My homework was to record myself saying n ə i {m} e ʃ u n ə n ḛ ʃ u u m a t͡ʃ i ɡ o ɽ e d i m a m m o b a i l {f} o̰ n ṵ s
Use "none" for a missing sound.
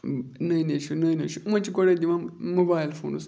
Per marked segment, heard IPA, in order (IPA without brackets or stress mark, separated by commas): n, f